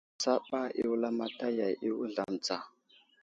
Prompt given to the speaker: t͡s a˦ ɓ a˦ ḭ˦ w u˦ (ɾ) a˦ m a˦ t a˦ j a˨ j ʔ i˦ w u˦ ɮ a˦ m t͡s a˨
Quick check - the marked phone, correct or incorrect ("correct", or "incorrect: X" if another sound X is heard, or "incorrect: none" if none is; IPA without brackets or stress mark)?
incorrect: l